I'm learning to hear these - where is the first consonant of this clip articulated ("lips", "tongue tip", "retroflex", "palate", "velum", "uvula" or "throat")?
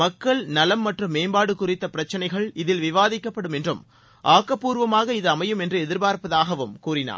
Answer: velum